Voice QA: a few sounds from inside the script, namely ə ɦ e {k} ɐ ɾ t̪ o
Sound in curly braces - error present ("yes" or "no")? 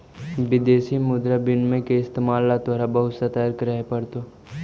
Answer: yes